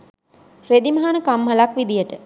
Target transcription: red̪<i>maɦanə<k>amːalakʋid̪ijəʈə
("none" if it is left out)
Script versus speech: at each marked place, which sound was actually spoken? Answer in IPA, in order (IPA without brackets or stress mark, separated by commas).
i, k